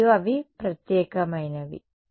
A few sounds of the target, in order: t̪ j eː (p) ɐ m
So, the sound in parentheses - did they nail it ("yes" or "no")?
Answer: no